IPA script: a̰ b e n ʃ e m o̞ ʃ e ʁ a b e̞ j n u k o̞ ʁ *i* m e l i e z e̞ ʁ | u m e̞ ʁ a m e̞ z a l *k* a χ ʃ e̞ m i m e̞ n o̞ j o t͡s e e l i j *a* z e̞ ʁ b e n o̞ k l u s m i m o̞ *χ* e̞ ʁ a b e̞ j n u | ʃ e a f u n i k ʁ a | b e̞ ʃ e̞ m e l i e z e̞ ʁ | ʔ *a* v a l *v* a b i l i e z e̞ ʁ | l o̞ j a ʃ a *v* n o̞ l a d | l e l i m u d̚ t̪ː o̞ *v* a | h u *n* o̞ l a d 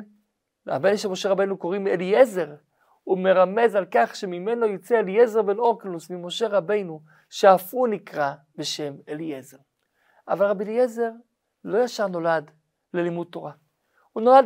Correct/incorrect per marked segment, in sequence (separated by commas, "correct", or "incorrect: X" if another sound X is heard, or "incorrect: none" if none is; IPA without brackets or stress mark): correct, correct, incorrect: e, incorrect: ʃ, correct, incorrect: ʁ, incorrect: ʁ, incorrect: ʁ, correct